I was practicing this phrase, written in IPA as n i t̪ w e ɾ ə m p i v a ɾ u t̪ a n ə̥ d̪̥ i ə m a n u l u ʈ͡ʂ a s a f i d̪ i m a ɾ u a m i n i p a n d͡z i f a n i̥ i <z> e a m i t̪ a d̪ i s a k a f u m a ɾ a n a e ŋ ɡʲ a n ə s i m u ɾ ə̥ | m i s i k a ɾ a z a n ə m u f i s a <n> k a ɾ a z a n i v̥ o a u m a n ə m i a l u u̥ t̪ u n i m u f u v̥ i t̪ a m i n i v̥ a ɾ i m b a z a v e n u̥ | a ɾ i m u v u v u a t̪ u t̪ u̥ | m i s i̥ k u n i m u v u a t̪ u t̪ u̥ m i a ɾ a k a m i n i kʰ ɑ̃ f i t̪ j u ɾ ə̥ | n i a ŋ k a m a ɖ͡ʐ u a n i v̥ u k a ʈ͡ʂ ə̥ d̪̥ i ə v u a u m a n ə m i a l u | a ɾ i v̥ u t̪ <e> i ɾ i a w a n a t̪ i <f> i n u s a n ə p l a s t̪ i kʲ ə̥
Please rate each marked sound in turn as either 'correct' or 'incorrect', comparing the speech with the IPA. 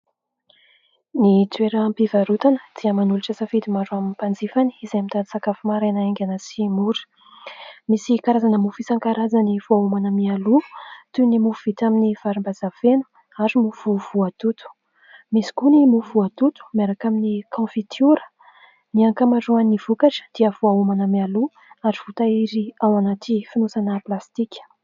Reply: correct, incorrect: ŋ, incorrect: a, correct

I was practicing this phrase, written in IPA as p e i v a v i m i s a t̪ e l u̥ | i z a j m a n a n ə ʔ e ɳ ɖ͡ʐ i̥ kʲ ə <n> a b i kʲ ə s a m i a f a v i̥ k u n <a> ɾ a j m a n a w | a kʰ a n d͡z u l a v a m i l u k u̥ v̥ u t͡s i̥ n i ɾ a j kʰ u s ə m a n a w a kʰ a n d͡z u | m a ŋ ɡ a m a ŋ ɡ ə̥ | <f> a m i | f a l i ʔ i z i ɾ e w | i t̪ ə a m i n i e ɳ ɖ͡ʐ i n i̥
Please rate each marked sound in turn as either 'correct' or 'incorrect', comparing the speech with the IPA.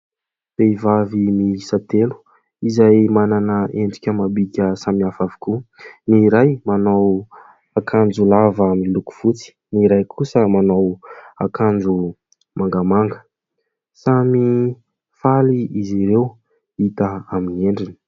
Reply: incorrect: m, incorrect: i, incorrect: s

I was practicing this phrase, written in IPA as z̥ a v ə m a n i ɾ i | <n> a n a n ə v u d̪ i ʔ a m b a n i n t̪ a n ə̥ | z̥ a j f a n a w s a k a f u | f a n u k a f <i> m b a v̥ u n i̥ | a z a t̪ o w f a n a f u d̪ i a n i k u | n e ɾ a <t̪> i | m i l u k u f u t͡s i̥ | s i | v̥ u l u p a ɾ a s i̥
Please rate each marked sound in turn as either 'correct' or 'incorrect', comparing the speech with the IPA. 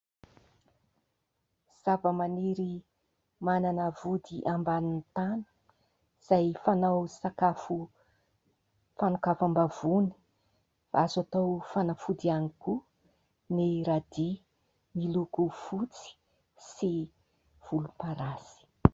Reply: incorrect: m, incorrect: a, incorrect: d̪

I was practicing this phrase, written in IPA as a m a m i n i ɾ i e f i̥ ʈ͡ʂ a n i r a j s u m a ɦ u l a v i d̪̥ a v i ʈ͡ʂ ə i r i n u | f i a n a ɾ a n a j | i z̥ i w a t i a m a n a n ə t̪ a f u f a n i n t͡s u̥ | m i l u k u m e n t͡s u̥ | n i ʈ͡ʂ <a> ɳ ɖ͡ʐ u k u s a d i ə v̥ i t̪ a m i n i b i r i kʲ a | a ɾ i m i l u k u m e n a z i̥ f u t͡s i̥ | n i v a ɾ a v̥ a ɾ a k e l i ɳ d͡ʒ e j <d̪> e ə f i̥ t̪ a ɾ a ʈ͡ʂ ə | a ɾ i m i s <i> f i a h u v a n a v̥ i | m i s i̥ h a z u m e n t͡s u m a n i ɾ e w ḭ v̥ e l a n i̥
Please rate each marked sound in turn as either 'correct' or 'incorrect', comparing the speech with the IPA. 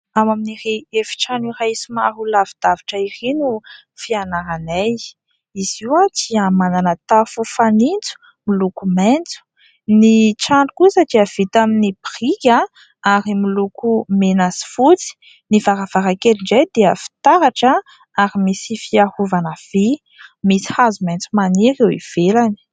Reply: correct, correct, correct

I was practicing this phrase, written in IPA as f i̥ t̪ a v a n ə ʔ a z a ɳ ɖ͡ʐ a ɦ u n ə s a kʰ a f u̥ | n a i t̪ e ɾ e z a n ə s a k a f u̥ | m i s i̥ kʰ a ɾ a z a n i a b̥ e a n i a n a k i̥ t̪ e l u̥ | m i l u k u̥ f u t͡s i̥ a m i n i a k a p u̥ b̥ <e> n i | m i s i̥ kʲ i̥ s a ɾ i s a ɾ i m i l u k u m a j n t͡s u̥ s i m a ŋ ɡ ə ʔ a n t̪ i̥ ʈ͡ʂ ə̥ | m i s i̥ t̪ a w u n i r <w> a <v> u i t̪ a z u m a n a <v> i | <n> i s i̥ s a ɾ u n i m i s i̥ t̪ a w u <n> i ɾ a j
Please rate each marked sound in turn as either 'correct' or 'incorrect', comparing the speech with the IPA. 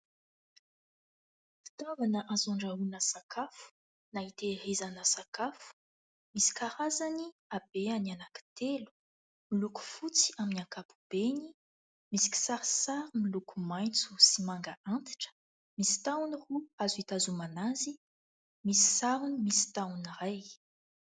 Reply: correct, incorrect: u, incorrect: z, incorrect: z, incorrect: m, correct

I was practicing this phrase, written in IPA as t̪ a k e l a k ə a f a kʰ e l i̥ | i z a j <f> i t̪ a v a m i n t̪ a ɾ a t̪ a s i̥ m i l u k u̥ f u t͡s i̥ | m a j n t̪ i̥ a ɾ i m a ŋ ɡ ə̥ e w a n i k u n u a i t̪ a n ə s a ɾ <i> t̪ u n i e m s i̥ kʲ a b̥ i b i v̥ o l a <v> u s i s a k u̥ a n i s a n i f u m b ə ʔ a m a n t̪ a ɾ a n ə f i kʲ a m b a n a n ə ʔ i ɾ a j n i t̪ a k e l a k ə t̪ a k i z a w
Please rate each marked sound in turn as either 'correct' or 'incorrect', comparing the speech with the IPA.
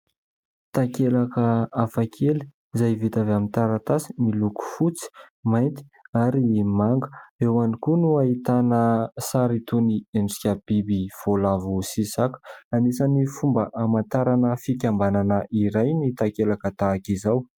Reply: incorrect: v, correct, correct

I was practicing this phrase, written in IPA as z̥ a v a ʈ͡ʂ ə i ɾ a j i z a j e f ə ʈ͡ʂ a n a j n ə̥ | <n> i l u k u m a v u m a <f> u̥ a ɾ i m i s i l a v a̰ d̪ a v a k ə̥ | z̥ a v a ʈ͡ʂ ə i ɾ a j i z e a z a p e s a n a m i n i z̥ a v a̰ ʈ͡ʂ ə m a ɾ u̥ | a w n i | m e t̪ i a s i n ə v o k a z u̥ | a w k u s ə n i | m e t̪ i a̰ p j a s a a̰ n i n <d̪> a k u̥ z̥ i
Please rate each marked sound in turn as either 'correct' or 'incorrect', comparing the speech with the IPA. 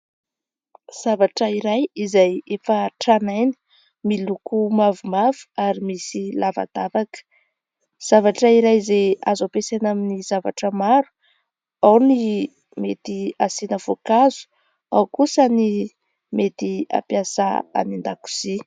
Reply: incorrect: m, incorrect: v, correct

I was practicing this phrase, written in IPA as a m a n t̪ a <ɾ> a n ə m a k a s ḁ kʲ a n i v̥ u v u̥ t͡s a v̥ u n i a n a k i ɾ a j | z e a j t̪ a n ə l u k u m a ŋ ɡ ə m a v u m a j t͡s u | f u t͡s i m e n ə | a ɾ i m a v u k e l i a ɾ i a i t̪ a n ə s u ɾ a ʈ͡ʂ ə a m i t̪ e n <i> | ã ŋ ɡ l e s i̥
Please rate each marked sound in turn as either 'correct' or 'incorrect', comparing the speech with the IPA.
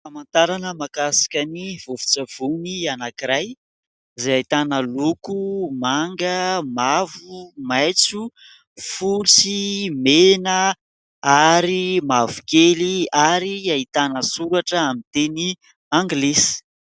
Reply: correct, correct

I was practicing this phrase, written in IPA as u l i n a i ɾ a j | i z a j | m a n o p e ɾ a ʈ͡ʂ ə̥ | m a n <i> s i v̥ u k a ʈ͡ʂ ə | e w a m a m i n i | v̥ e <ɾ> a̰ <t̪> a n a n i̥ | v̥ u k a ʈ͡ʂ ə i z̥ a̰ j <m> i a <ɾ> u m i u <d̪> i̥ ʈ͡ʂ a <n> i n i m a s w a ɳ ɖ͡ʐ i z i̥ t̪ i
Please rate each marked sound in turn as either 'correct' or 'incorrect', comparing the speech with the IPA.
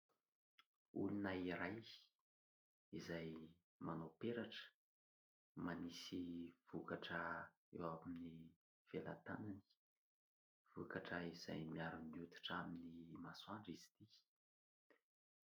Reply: correct, incorrect: l, correct, correct, correct, incorrect: t̪, incorrect: m

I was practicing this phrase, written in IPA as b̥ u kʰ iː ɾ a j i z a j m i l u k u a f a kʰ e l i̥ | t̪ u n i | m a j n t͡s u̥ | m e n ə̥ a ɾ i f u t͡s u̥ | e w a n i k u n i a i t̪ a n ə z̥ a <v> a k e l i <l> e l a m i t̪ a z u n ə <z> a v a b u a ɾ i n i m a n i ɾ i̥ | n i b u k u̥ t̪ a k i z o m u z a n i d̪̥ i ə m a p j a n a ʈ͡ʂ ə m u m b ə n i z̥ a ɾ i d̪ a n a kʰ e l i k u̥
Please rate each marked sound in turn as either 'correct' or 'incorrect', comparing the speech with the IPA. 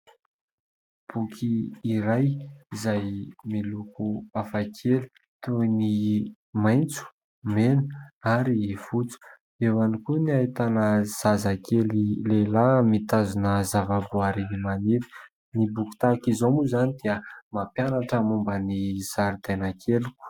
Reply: incorrect: z, correct, correct

